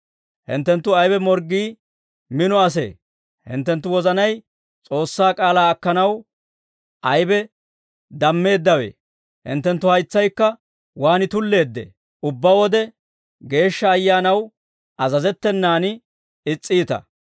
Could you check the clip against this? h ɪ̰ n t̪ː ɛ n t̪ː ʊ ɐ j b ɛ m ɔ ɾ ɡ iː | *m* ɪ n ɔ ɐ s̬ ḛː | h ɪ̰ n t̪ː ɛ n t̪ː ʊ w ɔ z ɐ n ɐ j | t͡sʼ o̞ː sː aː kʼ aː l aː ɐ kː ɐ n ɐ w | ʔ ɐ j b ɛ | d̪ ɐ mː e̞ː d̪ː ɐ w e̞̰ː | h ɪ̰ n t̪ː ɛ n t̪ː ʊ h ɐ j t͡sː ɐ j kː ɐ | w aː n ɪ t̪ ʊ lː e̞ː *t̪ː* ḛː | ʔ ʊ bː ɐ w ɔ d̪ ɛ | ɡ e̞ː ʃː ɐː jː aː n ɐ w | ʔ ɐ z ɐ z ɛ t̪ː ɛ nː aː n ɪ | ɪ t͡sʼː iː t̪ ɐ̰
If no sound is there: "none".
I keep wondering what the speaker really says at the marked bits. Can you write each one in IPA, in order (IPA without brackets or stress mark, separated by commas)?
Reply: m, d̪ː